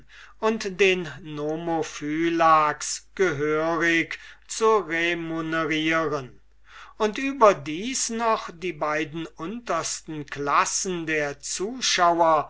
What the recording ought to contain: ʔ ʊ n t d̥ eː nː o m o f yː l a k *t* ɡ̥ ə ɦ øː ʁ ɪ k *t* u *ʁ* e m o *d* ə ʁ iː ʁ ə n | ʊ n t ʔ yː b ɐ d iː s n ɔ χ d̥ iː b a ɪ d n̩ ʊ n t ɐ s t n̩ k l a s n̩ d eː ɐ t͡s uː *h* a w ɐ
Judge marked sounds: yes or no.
no, no, yes, no, no

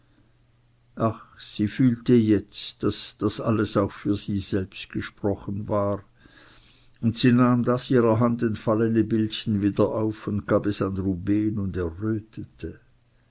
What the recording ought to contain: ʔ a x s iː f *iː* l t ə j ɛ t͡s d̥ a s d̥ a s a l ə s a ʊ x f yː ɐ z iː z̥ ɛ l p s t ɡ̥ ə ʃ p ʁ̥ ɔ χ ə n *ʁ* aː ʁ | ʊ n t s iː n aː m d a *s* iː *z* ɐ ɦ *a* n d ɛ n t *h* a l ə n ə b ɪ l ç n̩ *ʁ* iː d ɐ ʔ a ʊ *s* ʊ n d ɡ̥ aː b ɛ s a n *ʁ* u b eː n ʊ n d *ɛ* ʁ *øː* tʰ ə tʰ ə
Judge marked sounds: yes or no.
no, no, yes, no, yes, no, no, no, yes, yes, yes

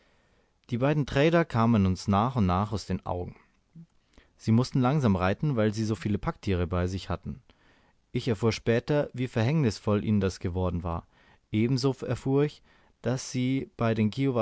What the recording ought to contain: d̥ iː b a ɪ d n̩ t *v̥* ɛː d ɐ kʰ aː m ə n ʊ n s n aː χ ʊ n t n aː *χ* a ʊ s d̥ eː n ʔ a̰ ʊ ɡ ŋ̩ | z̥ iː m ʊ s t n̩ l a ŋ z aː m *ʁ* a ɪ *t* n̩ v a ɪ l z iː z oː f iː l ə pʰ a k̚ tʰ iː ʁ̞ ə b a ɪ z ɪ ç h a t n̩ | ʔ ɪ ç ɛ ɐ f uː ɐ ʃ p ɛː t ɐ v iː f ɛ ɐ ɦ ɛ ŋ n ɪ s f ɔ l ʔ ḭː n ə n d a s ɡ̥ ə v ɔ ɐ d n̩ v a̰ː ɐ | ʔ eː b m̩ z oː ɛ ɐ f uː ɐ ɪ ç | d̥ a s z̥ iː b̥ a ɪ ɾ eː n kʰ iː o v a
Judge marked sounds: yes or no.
no, yes, yes, yes

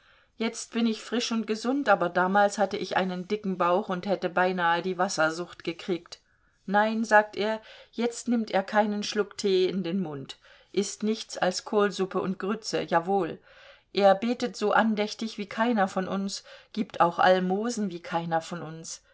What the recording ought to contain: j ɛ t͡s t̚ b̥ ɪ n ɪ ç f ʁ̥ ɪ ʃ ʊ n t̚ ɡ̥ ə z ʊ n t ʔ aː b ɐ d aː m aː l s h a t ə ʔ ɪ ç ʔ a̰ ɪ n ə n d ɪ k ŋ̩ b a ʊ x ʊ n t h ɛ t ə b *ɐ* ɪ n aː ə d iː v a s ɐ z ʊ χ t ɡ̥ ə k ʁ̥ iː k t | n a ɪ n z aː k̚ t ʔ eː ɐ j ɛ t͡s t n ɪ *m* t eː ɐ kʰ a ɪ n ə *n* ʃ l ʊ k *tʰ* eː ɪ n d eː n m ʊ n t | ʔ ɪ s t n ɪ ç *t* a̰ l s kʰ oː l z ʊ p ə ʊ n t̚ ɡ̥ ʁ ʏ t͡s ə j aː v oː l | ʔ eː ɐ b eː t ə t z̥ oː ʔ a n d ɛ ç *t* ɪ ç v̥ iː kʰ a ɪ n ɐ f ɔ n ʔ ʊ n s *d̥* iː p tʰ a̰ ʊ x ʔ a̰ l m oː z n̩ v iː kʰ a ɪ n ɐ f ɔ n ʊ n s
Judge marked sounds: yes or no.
no, yes, yes, yes, no, yes, no

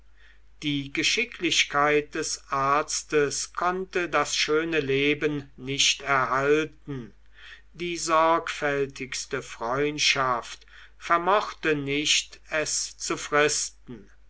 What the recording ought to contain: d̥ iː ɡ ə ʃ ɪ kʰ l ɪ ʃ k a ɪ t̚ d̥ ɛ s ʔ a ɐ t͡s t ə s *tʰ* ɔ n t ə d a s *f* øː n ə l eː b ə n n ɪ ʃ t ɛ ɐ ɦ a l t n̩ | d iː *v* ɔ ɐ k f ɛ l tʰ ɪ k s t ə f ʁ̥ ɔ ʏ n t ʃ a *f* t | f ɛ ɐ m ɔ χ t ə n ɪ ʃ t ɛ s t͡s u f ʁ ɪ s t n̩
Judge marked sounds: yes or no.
no, no, no, yes

